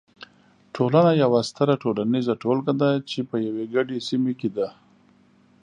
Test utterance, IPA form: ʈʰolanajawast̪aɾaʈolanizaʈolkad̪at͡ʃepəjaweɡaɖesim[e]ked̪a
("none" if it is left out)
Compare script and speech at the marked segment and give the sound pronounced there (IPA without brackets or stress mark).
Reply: e